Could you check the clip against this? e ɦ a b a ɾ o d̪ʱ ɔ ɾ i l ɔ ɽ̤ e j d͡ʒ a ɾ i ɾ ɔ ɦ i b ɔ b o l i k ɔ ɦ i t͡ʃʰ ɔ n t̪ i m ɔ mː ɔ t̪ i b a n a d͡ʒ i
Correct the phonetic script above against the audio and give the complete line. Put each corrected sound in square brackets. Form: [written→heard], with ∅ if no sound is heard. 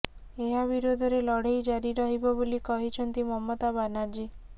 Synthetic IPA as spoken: e ɦ a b [a→i] ɾ o d̪ʱ ɔ ɾ [i→e] l ɔ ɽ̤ e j d͡ʒ a ɾ i ɾ ɔ ɦ i b ɔ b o l i k ɔ ɦ i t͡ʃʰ ɔ n t̪ i m ɔ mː ɔ t̪ [i→a] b a n a d͡ʒ i